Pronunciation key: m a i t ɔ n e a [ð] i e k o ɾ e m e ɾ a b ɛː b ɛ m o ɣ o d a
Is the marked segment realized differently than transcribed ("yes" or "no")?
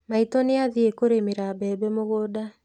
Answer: no